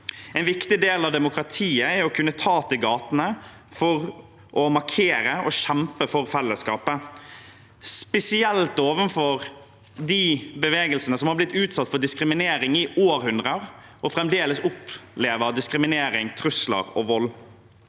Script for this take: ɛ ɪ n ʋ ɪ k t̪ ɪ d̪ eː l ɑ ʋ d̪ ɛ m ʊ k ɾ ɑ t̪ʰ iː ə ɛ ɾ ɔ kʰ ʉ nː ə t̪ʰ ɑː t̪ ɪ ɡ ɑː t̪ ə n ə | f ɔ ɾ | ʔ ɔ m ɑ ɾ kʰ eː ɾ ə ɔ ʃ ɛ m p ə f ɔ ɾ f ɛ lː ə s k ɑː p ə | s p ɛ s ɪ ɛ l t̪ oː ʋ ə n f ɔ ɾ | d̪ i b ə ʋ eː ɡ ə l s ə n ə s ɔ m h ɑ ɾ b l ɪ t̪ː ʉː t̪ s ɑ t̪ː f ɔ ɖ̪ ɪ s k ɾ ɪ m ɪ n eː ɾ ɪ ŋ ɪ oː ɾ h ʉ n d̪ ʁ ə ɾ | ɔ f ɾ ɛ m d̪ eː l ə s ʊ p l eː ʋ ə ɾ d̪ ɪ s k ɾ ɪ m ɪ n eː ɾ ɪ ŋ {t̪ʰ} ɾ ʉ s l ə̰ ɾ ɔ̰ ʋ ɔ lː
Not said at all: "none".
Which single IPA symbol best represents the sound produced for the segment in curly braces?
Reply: t̪ʰ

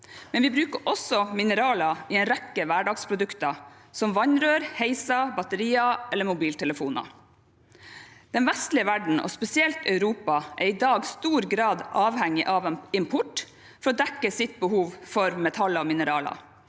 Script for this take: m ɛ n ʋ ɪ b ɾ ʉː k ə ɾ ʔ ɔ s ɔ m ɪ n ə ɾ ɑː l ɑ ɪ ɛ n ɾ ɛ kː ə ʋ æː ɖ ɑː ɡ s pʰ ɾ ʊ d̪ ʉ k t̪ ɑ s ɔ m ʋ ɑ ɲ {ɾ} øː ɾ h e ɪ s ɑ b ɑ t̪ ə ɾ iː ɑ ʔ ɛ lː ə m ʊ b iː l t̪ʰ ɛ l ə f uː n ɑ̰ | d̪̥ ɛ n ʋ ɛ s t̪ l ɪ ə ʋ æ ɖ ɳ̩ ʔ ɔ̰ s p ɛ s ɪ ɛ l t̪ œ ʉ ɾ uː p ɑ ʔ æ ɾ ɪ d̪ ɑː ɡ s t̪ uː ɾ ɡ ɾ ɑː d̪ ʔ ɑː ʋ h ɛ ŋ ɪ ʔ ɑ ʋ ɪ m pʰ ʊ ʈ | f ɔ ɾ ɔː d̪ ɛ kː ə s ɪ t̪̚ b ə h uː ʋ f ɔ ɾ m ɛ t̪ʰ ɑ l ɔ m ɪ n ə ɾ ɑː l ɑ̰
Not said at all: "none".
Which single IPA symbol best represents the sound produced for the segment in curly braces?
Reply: ɾ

